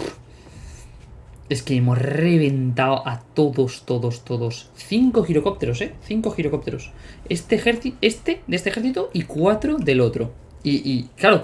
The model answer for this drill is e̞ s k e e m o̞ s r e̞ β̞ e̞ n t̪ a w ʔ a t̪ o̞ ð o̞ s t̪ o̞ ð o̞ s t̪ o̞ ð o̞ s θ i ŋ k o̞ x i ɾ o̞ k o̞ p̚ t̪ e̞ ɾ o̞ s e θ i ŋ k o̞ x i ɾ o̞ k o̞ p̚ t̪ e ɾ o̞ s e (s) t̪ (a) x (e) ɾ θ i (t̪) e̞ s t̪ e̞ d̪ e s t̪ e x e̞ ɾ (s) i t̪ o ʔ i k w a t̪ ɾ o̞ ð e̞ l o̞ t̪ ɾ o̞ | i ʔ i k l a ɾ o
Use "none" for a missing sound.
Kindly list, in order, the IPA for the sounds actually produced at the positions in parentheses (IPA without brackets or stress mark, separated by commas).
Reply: s, e, e, none, θ